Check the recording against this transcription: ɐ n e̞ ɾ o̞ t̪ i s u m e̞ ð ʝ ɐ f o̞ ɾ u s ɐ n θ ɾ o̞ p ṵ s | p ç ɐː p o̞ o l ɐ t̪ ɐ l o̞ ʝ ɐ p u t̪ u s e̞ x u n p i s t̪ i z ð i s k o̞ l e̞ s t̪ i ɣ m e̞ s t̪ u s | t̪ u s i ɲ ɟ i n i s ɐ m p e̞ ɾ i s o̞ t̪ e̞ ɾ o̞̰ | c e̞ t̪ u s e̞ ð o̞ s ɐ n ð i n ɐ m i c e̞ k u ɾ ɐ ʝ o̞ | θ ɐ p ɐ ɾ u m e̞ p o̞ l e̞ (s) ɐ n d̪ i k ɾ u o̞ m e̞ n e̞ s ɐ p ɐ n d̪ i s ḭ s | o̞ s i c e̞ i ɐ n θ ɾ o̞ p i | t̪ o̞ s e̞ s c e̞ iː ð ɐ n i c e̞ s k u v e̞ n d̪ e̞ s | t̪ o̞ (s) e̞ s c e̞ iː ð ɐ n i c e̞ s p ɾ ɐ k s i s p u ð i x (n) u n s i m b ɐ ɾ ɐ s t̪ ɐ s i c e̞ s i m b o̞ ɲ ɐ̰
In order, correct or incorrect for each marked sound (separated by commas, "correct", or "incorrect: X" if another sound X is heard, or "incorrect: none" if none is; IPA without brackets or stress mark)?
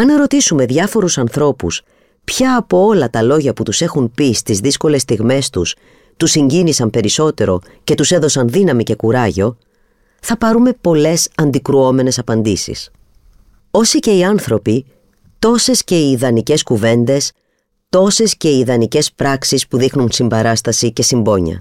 correct, correct, correct